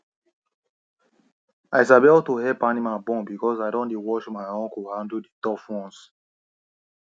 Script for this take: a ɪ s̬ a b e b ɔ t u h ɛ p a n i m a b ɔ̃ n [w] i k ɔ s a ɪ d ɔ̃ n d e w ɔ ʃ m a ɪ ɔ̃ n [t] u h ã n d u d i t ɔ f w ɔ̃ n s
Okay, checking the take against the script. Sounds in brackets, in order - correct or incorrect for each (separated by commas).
incorrect, incorrect